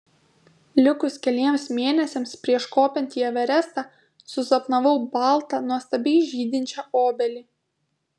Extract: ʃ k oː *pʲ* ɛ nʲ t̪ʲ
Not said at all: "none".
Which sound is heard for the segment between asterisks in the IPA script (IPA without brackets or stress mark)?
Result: pʲ